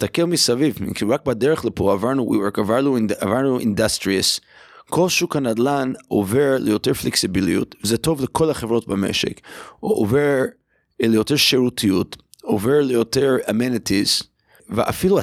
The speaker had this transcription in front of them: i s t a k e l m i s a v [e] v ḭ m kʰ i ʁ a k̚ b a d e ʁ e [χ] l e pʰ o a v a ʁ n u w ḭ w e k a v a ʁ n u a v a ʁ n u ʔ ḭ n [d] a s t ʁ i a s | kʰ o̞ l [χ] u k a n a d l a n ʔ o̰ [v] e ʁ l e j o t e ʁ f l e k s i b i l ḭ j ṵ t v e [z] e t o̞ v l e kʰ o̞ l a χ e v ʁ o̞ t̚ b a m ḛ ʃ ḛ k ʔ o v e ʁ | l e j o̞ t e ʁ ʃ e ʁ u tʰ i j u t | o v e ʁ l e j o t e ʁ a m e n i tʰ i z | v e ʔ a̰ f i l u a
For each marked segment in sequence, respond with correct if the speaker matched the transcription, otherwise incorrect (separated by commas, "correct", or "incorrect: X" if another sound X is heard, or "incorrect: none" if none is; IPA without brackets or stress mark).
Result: incorrect: i, correct, correct, incorrect: ʃ, correct, correct